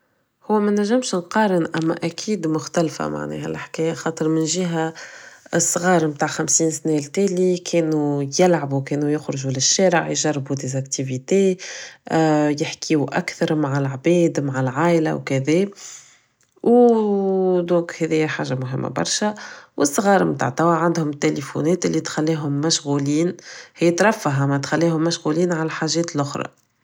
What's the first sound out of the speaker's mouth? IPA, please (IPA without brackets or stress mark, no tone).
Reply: h